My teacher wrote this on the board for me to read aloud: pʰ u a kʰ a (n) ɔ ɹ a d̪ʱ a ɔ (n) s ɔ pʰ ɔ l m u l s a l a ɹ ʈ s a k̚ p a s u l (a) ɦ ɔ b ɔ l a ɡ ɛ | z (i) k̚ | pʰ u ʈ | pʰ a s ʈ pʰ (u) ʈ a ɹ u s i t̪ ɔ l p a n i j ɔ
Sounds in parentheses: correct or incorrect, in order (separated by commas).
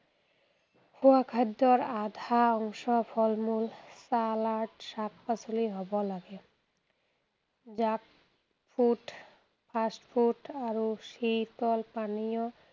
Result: incorrect, incorrect, incorrect, incorrect, correct